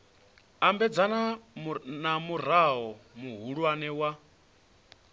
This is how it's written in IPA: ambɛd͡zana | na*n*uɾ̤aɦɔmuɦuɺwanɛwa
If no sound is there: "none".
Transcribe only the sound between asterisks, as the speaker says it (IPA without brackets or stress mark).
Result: m